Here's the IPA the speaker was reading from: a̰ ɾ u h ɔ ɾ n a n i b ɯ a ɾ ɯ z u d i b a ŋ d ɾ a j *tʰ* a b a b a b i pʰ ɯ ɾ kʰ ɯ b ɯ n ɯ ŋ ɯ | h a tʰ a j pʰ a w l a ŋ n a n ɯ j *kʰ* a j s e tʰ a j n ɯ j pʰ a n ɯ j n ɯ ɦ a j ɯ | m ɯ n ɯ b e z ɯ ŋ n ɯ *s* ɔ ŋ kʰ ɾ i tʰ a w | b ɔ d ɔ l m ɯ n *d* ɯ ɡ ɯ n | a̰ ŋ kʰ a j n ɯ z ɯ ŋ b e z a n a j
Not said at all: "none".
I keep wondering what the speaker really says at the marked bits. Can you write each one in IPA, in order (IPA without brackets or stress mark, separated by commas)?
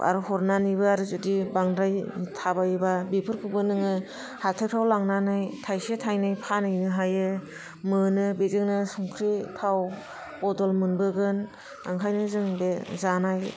tʰ, tʰ, s, b